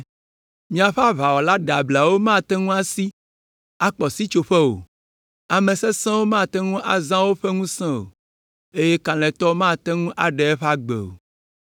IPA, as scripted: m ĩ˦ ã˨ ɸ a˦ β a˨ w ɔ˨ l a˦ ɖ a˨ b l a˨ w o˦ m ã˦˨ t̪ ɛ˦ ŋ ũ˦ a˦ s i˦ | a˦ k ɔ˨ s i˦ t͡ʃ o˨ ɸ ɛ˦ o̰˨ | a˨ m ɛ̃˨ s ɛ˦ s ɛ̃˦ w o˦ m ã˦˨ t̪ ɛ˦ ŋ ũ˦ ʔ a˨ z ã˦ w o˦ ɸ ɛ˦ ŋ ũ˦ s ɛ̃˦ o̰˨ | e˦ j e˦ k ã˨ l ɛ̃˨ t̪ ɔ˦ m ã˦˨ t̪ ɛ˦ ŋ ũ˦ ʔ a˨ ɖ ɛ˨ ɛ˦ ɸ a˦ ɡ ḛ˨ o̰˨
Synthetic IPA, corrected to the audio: m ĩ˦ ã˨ ɸ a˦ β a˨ w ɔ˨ l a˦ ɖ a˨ b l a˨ w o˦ m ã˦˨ t̪ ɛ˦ ŋ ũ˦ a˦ s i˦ | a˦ k͡p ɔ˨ s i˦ t͡ʃ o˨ ɸ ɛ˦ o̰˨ | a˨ m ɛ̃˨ s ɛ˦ s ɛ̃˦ w o˦ m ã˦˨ t̪ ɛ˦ ŋ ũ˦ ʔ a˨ z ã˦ w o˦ ɸ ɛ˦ ŋ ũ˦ s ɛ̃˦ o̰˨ | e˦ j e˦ k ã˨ l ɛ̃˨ t̪ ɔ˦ m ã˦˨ t̪ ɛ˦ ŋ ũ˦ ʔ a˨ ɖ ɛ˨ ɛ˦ ɸ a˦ ɡ͡b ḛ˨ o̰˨